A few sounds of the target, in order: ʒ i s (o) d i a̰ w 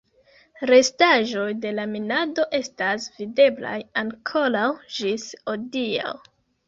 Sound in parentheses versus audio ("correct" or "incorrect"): correct